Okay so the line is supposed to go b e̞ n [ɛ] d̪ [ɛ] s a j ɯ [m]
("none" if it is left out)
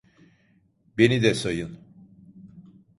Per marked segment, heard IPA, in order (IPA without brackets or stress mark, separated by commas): i, ɛ, n